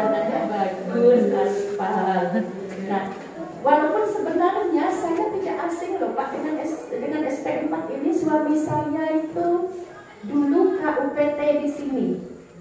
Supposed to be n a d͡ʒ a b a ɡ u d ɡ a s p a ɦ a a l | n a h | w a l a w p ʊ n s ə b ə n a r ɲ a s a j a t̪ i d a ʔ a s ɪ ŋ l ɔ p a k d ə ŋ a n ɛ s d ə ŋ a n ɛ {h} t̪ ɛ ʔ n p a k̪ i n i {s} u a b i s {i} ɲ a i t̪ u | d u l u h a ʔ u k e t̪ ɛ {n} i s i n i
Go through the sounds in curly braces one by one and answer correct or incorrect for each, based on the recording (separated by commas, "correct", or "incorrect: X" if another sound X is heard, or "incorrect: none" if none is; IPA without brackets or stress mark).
incorrect: s, correct, incorrect: a, incorrect: d